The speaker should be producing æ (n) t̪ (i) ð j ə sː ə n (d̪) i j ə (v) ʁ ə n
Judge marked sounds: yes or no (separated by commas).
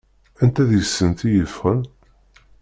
yes, no, no, no